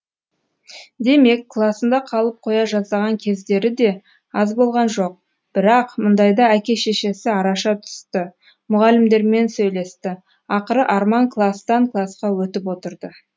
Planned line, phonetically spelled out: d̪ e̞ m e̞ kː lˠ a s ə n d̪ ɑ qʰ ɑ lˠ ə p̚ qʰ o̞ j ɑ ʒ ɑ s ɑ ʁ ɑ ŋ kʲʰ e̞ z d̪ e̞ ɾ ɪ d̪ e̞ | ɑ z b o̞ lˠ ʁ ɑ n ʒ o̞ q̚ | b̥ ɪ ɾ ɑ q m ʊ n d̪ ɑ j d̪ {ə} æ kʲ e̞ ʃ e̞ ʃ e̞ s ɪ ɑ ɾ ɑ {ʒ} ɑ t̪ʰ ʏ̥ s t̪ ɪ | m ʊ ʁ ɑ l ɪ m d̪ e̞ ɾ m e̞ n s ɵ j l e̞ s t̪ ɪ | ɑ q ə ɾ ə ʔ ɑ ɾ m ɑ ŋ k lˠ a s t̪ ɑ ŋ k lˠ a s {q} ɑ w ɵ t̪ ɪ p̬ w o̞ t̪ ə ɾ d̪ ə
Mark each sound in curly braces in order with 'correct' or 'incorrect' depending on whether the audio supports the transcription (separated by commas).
incorrect, incorrect, correct